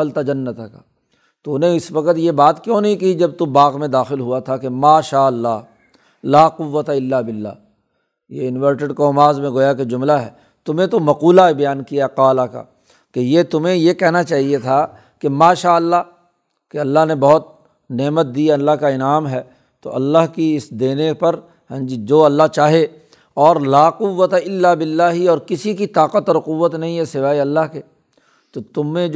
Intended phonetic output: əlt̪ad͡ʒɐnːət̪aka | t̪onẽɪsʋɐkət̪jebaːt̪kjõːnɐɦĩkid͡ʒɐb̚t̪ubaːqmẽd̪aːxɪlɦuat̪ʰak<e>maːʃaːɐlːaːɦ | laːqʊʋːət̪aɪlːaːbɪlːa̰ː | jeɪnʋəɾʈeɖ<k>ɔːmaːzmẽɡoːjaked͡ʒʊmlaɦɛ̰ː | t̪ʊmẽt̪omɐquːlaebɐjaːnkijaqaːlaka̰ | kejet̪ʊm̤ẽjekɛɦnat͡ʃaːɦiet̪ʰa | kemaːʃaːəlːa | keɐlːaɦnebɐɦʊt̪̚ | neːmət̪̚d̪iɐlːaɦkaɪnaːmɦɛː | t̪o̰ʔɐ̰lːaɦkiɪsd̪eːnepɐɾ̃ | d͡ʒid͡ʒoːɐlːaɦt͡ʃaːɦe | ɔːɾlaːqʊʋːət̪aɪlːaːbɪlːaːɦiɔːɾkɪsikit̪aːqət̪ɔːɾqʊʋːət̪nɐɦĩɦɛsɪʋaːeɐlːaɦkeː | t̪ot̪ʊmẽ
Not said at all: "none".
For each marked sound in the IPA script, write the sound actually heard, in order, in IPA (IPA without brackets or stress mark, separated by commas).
e, k